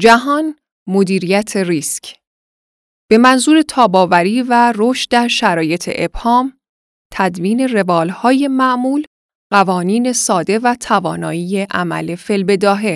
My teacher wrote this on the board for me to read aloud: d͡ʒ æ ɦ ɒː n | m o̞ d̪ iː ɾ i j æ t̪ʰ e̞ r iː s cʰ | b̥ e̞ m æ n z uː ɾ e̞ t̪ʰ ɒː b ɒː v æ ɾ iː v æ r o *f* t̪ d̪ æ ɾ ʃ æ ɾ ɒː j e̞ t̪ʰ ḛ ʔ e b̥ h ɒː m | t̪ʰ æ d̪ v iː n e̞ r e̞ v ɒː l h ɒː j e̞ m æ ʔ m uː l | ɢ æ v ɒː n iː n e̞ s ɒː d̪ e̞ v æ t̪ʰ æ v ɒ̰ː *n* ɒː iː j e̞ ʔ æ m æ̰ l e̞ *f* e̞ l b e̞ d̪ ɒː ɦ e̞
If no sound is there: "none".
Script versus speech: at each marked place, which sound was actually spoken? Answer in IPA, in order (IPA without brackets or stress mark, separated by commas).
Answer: ʃ, n, f